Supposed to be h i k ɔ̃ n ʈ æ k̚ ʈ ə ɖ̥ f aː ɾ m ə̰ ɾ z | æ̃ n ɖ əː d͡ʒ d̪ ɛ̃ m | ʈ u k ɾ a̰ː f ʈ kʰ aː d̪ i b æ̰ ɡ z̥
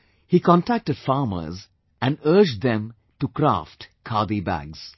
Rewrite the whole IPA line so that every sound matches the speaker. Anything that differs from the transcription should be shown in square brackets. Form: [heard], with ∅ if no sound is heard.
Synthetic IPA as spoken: h i k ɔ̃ n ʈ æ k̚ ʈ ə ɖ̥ f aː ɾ m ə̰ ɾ z | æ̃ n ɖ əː d͡ʒ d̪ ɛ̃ m | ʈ u k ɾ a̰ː f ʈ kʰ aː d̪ i b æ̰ ɡ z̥